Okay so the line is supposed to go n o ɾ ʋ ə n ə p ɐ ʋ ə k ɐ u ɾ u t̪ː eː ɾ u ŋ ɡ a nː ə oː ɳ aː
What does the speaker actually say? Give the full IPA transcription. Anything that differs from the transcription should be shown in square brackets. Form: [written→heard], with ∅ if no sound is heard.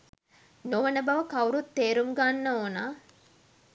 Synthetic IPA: n o [ɾ→∅] ʋ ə n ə [p→b] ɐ ʋ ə k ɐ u ɾ u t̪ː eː ɾ u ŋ ɡ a nː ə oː [ɳ→n] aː